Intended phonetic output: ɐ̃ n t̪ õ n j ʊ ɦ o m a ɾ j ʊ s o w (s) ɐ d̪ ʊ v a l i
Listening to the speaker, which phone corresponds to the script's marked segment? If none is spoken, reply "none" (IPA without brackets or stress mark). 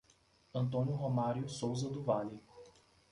z